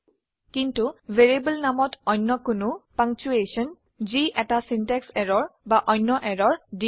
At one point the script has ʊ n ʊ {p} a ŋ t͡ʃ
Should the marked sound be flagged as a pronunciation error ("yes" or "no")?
no